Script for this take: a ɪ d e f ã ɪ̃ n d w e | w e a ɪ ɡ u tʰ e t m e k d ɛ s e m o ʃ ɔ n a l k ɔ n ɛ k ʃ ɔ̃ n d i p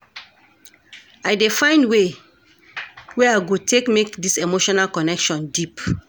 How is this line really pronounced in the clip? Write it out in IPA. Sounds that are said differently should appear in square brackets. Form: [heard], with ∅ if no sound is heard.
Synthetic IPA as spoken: a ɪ d e f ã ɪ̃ n d w e | w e a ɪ ɡ [o] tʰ e [k] m e k d [i] s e m o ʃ ɔ n a l k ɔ n ɛ k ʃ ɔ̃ n d i p

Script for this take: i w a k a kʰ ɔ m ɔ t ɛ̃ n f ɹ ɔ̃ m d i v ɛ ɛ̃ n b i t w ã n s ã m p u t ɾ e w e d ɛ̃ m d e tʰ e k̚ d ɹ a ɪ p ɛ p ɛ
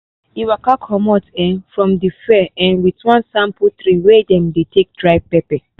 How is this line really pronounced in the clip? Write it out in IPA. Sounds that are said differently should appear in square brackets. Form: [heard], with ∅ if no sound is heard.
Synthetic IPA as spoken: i w a k a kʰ ɔ m ɔ t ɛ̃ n f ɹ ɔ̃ m d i [f] ɛ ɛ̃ n [w] i t w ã n s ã m p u t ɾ [i] w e d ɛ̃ m d e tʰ e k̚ d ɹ a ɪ p ɛ p ɛ

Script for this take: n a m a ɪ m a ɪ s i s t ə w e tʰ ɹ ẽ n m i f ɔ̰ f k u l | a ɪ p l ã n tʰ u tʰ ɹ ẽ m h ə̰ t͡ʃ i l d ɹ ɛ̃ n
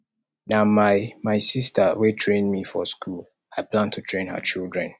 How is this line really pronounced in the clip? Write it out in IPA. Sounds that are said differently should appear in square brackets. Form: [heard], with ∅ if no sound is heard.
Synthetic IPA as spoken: n a m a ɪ m a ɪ s i s t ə w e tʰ ɹ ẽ n m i f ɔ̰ [s] k u l | a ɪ p l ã n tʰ u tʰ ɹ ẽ [n] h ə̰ t͡ʃ i l d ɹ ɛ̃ n

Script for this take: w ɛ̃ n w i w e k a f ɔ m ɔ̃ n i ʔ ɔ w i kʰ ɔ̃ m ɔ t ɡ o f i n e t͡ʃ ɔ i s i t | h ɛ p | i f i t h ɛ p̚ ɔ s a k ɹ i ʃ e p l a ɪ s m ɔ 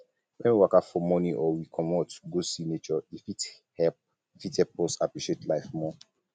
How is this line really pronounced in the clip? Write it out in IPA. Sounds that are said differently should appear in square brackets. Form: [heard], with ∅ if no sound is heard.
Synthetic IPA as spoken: w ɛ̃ n w i w [a] k a f ɔ m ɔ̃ n i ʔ ɔ w i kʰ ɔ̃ m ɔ t ɡ o [s] i n e t͡ʃ ɔ i [f] i t | h ɛ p | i f i t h ɛ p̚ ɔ s a [p] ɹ i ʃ e [t] l a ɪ [f] m ɔ

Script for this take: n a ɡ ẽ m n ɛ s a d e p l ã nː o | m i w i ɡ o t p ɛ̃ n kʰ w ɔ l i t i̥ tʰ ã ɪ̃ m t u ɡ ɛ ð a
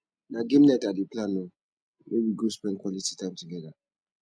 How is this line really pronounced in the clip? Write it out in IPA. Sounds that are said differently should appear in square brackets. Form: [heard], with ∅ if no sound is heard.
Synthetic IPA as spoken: n a ɡ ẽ m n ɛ [t] a d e p l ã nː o | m [e] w i ɡ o [s] p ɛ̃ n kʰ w ɔ l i t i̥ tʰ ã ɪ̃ m t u ɡ ɛ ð a

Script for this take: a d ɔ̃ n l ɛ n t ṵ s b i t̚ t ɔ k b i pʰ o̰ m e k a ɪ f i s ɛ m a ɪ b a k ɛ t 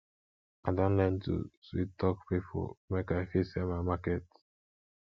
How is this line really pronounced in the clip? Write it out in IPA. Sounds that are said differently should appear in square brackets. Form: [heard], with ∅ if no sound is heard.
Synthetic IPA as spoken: a d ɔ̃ n l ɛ n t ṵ s [w] i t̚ t ɔ k [p] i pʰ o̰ m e k a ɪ f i s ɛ m a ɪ [m] a k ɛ t

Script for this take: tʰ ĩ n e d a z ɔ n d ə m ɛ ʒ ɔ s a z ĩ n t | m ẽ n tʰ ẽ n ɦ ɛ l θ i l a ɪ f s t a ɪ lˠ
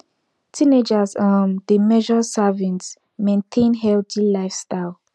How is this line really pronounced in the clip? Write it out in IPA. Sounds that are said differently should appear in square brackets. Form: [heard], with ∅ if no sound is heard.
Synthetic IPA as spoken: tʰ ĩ n e [d͡ʒ] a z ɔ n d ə m ɛ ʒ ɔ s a [v] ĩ n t | m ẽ n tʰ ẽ n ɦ ɛ l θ i l a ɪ f s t a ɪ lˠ

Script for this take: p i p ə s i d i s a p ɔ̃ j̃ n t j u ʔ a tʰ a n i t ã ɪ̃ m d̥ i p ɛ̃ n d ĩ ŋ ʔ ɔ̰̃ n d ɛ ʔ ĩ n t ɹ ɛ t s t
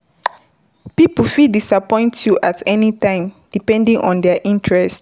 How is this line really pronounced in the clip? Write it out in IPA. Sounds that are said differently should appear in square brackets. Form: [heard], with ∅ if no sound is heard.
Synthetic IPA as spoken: p i p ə [f] i d i s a p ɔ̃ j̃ n t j u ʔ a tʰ [ɛ] n i t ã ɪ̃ m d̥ i p ɛ̃ n d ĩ ŋ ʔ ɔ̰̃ n d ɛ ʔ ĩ n t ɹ ɛ [∅] s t

